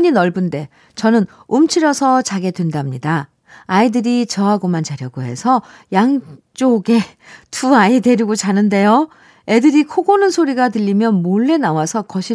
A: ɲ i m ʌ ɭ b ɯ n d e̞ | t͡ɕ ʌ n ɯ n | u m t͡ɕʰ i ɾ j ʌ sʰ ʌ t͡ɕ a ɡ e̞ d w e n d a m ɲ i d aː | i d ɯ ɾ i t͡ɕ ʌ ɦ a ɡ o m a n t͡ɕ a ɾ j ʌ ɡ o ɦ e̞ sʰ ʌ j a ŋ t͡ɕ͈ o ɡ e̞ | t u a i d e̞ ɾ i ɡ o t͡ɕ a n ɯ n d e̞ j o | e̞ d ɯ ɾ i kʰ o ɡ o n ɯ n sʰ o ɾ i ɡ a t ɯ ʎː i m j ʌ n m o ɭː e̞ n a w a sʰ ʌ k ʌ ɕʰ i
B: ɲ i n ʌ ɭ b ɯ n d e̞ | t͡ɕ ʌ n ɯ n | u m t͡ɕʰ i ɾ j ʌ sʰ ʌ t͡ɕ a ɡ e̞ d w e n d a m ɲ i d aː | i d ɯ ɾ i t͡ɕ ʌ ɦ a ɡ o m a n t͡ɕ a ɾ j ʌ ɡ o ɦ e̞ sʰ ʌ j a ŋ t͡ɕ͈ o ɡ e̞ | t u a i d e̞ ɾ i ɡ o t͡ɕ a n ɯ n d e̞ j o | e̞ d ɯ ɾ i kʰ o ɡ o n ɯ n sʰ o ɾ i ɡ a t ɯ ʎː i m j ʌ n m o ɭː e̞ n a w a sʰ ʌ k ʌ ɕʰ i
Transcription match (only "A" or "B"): B